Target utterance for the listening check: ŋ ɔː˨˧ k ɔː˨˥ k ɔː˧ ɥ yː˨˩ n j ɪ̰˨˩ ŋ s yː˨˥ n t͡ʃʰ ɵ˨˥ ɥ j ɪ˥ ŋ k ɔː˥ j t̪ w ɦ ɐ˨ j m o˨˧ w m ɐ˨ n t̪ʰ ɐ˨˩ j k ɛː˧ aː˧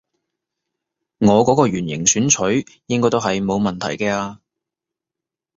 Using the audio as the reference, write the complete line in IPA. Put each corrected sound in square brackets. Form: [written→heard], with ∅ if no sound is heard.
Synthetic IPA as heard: ŋ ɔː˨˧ k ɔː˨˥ k ɔː˧ ɥ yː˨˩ n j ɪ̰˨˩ ŋ s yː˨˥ n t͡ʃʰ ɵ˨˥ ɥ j ɪ˥ ŋ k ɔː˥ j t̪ w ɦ ɐ˨ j m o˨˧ w m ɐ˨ n t̪ʰ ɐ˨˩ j k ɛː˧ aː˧